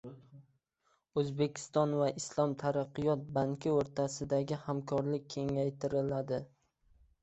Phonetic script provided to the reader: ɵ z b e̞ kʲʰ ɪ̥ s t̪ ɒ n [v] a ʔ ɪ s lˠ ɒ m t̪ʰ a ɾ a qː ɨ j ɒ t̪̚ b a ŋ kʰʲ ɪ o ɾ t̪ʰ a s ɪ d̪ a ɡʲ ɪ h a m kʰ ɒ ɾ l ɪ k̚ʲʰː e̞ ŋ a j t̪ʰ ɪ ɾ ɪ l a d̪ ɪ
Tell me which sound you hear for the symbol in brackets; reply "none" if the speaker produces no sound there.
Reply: v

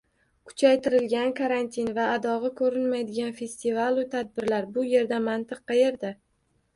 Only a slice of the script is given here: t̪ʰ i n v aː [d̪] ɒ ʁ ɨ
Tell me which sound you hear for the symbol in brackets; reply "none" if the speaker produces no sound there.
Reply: d̪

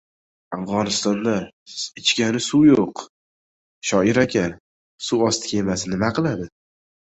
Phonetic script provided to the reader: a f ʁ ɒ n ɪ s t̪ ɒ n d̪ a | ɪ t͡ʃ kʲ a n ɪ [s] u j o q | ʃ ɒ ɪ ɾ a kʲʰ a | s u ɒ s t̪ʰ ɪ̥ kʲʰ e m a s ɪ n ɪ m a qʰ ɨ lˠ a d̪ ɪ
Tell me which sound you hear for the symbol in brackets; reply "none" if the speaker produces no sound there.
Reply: s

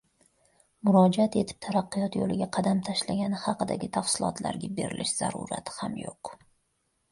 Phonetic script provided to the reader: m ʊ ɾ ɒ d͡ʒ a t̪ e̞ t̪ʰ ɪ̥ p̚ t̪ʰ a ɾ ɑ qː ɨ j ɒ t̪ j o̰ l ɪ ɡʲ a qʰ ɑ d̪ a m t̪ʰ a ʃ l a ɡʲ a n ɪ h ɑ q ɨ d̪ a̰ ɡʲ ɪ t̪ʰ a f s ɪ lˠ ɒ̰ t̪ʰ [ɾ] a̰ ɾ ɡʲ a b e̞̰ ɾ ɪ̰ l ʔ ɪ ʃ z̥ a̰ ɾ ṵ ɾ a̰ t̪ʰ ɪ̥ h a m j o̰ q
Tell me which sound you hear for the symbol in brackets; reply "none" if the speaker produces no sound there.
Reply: l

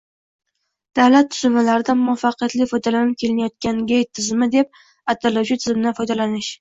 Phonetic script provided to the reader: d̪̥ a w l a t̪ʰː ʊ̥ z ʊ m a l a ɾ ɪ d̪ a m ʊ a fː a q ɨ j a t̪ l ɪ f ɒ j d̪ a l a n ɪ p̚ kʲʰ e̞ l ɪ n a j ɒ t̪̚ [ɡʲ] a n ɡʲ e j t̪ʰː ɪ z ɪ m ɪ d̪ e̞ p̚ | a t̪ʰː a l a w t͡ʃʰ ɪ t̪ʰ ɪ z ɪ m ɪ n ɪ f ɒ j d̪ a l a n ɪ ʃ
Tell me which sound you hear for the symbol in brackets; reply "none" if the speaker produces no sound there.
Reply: kʲ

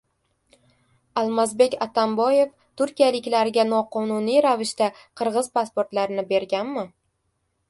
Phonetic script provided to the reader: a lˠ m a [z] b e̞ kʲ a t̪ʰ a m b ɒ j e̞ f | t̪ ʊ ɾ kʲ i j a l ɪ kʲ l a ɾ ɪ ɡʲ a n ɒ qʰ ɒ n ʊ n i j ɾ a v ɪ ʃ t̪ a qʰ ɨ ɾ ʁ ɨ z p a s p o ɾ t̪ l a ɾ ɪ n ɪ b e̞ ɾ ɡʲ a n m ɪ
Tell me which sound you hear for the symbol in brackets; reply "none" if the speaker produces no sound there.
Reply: z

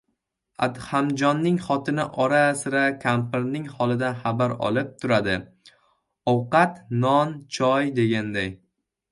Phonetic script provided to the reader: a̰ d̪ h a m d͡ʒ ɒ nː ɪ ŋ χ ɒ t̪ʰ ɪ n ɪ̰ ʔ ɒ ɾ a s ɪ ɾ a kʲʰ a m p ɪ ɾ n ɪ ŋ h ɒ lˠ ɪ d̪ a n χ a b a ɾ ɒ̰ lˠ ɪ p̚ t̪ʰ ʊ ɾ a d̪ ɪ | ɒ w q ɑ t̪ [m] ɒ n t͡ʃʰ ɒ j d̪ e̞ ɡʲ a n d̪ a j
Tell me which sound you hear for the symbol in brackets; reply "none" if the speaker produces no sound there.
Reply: n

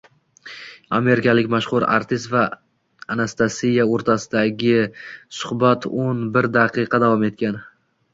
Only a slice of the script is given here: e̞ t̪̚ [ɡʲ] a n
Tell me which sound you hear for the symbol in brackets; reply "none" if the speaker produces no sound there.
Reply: kʲ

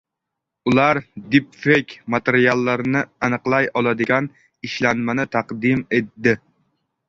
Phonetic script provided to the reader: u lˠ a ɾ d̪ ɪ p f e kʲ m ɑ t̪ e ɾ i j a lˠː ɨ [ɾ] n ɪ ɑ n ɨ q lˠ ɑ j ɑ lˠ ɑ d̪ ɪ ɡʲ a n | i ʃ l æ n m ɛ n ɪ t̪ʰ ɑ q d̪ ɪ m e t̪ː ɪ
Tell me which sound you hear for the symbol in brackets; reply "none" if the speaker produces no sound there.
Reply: ɾ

